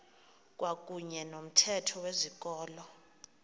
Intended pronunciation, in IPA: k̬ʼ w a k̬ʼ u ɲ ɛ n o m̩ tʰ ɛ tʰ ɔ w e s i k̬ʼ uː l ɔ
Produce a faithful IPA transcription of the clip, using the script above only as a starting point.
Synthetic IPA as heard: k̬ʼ w a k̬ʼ u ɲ ɛ n o m̩ tʰ ɛ tʰ ɔ w e z i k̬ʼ ɔː l ɔ